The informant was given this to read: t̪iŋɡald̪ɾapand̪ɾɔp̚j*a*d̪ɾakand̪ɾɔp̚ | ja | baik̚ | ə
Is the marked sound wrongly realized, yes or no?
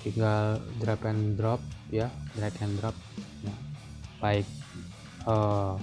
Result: no